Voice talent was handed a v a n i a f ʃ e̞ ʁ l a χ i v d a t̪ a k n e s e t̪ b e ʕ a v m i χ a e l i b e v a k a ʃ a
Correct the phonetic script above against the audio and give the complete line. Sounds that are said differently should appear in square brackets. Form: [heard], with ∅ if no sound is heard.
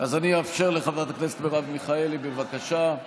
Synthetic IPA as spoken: a [z] a n i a f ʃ e̞ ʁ l [e] χ [a] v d a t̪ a k n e s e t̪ b e [ʁ] a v m i χ a e l i b e v a k a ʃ a